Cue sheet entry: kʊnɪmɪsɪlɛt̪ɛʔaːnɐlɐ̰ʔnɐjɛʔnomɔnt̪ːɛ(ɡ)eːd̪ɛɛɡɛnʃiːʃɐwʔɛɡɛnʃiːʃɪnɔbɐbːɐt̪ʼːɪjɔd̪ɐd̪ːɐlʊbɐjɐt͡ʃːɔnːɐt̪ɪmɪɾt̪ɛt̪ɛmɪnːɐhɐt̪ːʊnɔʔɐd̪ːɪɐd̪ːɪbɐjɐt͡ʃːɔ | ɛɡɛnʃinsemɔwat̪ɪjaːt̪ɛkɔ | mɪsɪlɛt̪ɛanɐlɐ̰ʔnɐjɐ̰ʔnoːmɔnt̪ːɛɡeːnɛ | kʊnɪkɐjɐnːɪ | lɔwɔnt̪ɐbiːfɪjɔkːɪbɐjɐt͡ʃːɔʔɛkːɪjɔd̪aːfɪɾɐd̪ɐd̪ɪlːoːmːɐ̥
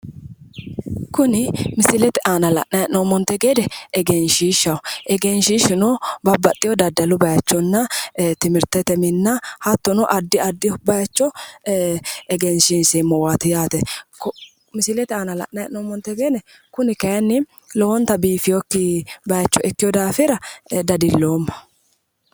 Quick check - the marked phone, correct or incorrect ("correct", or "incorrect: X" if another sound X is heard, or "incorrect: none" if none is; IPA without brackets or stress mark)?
correct